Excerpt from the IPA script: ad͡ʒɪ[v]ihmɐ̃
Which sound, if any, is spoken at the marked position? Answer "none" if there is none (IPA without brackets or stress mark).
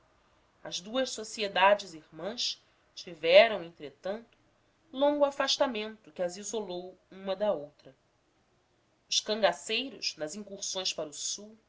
z